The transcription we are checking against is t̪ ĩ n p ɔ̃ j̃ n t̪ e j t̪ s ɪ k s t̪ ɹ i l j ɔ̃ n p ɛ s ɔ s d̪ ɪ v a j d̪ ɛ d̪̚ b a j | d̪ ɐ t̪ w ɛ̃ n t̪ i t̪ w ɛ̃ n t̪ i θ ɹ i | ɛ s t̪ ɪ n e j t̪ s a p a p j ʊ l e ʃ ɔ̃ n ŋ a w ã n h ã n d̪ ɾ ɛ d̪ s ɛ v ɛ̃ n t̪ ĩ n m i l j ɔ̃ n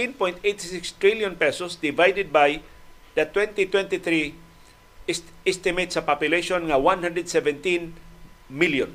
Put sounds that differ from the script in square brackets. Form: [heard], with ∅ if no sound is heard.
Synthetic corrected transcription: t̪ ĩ n p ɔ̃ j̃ n t̪ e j t̪ s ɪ k s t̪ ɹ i l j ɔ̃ n p ɛ s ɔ s d̪ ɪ v a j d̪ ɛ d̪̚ b a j | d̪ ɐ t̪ w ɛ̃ n t̪ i t̪ w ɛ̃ n t̪ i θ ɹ i | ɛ s t̪ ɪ [m] e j t̪ s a p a p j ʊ l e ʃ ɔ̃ n ŋ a w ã n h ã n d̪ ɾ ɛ d̪ s ɛ v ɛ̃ n t̪ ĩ n m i l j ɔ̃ n